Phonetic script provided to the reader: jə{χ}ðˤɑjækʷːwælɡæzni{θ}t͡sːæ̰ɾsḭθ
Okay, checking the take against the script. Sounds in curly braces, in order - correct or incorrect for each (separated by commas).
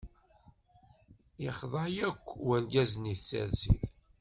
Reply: correct, correct